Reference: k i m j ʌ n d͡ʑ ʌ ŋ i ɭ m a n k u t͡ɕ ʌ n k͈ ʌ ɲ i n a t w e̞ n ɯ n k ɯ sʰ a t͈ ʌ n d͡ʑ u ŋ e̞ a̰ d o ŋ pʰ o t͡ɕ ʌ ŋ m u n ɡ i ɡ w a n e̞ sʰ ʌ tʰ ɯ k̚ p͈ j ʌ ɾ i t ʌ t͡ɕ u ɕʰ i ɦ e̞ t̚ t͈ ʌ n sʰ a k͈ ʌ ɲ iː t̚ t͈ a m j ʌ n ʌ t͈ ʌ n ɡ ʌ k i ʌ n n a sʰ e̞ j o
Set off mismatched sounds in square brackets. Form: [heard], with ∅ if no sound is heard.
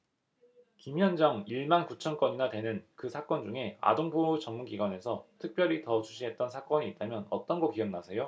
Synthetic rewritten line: k i m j ʌ n d͡ʑ ʌ ŋ i ɭ m a n k u [t͡ɕʰ] ʌ n k͈ ʌ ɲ i n a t w e̞ n ɯ n k ɯ sʰ a [k͈] ʌ n d͡ʑ u ŋ e̞ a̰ d o ŋ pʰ o t͡ɕ ʌ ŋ m u n ɡ i ɡ w a n e̞ sʰ ʌ tʰ ɯ k̚ p͈ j ʌ ɾ i t ʌ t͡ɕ u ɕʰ i ɦ e̞ t̚ t͈ ʌ n sʰ a k͈ ʌ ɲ iː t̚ t͈ a m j ʌ n ʌ t͈ ʌ n ɡ ʌ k i ʌ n n a sʰ e̞ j o